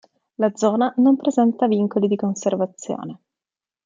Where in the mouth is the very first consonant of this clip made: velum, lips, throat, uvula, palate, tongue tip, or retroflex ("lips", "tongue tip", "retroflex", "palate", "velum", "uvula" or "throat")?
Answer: tongue tip